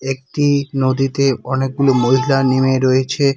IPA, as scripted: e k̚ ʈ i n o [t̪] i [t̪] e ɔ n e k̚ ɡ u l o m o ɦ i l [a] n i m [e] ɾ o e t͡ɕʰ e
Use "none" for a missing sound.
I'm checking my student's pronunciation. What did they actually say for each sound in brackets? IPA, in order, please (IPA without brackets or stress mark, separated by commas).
d̪, t̪, a, e